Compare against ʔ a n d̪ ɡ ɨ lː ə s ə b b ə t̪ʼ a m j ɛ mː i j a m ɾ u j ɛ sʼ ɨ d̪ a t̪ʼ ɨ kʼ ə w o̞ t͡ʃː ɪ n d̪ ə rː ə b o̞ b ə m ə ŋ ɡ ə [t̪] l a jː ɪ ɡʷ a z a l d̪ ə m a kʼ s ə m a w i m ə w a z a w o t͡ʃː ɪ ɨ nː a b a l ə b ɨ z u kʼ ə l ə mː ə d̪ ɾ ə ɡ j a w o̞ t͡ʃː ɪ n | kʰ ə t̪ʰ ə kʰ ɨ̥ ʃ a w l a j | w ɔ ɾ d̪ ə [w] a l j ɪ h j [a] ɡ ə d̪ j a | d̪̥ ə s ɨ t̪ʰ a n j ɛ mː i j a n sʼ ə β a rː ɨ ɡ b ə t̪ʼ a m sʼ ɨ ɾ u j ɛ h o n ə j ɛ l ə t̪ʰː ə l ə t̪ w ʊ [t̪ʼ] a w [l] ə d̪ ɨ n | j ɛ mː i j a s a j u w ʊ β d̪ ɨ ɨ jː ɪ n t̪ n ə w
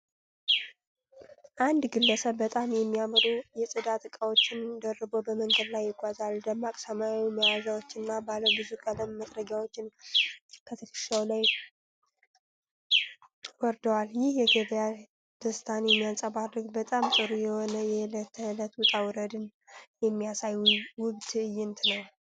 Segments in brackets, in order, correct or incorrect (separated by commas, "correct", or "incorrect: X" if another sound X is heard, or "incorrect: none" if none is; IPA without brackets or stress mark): incorrect: d̪, correct, incorrect: ɛ, correct, incorrect: ɾ